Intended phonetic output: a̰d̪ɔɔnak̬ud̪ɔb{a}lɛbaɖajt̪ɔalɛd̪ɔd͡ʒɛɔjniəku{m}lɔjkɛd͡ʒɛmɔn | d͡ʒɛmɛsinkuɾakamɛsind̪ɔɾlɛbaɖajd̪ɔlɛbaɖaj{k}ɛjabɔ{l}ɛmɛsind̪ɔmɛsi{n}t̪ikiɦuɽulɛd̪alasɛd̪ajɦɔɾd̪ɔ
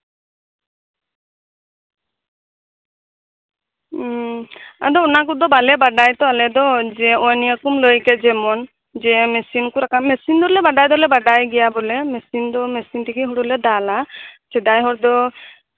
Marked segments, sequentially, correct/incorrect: correct, correct, incorrect: ɡ, correct, correct

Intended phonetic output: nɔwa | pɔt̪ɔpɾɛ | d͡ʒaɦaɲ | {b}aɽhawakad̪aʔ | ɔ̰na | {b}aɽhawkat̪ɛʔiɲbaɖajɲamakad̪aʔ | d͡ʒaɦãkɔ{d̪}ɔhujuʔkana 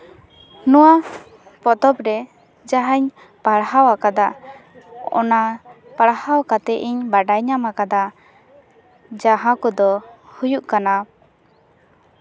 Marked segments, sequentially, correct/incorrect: incorrect: p, incorrect: p, correct

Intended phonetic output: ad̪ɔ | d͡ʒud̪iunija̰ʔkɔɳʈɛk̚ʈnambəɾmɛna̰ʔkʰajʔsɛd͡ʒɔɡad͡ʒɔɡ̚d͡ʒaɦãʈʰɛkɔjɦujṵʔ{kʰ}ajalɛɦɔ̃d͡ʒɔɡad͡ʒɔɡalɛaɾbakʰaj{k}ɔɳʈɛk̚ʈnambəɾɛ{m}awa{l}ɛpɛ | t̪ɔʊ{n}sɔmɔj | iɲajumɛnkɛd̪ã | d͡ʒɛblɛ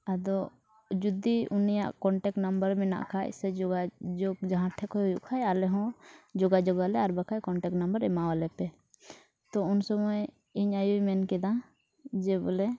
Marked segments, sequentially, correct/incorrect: correct, correct, correct, correct, correct

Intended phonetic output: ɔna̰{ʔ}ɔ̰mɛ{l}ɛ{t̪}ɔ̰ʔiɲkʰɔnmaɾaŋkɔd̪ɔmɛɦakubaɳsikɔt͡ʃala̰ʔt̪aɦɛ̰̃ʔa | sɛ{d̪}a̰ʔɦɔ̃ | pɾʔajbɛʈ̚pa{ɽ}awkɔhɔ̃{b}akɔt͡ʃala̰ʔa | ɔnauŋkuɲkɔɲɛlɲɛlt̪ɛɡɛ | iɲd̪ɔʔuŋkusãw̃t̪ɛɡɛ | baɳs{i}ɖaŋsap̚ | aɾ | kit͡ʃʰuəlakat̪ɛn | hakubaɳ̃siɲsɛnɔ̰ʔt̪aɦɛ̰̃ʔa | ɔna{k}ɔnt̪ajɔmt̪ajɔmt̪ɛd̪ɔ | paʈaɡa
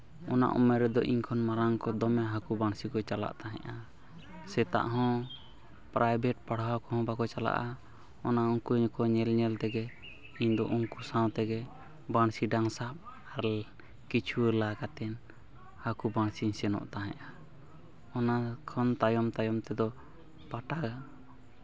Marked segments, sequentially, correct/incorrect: correct, incorrect: ɾ, incorrect: d̪, incorrect: t̪, correct, correct, correct, incorrect: kʰ

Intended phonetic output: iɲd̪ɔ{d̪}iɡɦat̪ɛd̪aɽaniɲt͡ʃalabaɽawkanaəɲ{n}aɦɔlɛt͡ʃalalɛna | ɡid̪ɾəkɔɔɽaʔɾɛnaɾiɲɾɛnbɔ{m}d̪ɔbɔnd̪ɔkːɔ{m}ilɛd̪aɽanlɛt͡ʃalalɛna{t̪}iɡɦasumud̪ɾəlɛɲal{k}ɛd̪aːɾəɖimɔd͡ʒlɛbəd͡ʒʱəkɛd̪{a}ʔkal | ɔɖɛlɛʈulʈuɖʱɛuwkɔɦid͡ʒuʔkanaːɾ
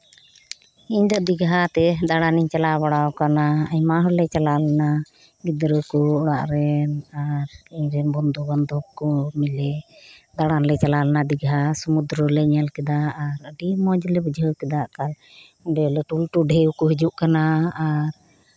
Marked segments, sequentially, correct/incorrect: correct, incorrect: m, incorrect: n, correct, incorrect: d̪, correct, correct

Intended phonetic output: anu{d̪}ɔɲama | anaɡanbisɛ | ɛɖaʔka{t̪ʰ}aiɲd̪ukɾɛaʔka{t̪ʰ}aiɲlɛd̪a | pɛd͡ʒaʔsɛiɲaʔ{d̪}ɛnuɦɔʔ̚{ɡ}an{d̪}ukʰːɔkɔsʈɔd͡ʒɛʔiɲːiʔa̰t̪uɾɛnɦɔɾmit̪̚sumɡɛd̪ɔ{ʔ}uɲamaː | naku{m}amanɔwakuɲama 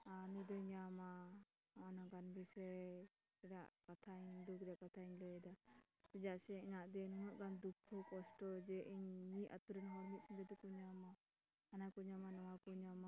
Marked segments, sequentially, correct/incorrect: correct, correct, correct, correct, correct, correct, incorrect: k, incorrect: ɲ

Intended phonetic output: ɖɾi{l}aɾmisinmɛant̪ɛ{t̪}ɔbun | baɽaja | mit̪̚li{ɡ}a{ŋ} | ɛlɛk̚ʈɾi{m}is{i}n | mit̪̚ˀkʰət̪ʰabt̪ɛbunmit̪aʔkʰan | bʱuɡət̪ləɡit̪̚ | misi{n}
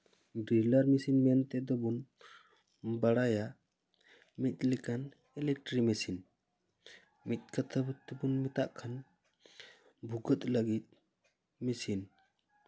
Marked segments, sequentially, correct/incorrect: correct, incorrect: d̪, incorrect: k, incorrect: n, correct, correct, correct

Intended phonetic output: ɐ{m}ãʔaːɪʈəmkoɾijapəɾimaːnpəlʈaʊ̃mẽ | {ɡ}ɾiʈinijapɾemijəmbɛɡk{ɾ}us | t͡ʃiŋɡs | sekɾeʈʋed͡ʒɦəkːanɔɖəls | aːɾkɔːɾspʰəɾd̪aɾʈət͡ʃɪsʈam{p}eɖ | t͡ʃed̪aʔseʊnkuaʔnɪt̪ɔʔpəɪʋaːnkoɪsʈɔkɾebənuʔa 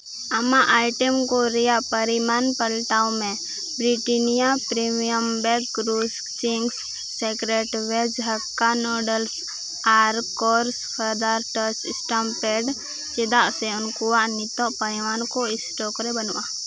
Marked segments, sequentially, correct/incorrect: correct, incorrect: b, correct, correct

